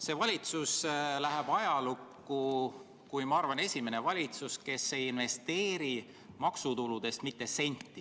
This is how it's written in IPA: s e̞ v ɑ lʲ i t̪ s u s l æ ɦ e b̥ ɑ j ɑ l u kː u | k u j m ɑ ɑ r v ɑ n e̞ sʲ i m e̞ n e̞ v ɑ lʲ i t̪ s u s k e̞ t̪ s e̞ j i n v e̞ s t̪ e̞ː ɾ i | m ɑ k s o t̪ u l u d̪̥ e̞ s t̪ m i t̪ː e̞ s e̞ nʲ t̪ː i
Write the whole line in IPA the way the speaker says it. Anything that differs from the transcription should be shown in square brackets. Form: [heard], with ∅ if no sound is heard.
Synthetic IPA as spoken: s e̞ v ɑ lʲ i t̪ s u s l æ ɦ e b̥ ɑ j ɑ l u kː u | k u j m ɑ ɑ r v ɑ n e̞ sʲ i m e̞ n e̞ v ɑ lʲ i t̪ s u s k e̞ [∅] s e̞ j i n v e̞ s t̪ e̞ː ɾ i | m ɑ k s [u] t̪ u l u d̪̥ e̞ s t̪ m i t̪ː e̞ s e̞ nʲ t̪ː i